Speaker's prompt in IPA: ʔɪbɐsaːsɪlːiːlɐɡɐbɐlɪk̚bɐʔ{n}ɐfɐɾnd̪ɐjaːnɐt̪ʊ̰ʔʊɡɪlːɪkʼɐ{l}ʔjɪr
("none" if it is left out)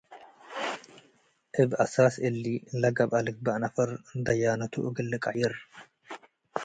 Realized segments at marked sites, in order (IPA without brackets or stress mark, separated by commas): n, none